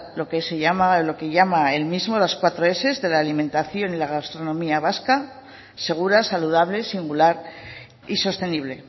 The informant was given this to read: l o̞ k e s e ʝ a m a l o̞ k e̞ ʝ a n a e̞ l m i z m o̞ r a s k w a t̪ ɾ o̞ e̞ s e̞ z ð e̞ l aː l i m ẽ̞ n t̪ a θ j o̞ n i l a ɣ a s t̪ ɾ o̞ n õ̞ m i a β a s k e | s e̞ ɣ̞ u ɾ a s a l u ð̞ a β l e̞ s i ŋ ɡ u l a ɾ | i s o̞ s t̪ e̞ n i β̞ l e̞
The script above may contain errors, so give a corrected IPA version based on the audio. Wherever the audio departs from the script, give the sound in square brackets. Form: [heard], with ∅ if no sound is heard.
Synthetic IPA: l o̞ k e s e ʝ a m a l o̞ k e̞ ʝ a [m] a e̞ l m i z m o̞ [l] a s k w a t̪ ɾ o̞ e̞ s e̞ z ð e̞ l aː l i m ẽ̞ n t̪ a θ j o̞ n i l a ɣ a s t̪ ɾ o̞ n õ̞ m i a β a s k [a] | s e̞ ɣ̞ u ɾ a s a l u ð̞ a β l e̞ s i ŋ ɡ u l a ɾ | i s o̞ s t̪ e̞ n i β̞ l e̞